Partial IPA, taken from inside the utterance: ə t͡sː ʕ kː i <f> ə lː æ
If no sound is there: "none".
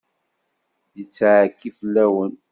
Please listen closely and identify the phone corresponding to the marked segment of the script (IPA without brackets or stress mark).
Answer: f